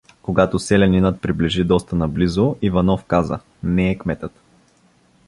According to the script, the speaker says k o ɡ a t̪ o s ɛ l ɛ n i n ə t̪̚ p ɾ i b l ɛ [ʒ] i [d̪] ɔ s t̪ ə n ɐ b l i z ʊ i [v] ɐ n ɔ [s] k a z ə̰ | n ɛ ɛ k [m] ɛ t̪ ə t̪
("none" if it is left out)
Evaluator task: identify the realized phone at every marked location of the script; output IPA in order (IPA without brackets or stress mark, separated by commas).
ʒ, d̪, v, f, m